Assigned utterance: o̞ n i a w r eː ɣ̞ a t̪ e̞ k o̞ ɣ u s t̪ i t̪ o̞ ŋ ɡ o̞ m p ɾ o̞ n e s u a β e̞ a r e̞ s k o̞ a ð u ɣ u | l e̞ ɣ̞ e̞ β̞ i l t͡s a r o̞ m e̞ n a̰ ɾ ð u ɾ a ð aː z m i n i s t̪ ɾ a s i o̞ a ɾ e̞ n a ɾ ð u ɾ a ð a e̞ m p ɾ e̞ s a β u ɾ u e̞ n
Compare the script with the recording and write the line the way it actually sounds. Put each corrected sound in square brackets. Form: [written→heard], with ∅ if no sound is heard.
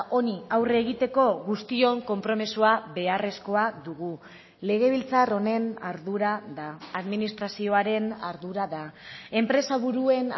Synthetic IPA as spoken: o̞ n i a w r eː ɣ̞ [a→i] t̪ e̞ k o̞ ɣ u s t̪ i [t̪→∅] o̞ ŋ [ɡ→k] o̞ m p ɾ o̞ [n→m] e s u a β e̞ a r e̞ s k o̞ a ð u ɣ u | l e̞ ɣ̞ e̞ β̞ i l t͡s a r o̞ [m→n] e̞ n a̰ ɾ ð u ɾ a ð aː [z→ð] m i n i s t̪ ɾ a s i o̞ a ɾ e̞ n a ɾ ð u ɾ a ð a e̞ m p ɾ e̞ s a β u ɾ u e̞ n